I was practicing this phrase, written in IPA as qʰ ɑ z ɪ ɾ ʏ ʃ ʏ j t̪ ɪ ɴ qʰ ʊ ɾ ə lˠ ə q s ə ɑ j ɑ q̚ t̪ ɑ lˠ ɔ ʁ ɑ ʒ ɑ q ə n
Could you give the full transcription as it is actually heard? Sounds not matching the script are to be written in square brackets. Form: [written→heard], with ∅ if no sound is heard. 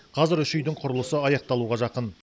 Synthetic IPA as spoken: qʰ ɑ z ɪ ɾ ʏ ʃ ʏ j [t̪→d̪] ɪ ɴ qʰ ʊ ɾ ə lˠ ə [q→∅] s ə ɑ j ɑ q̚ t̪ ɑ lˠ [ɔ→u] ʁ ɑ ʒ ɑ q ə n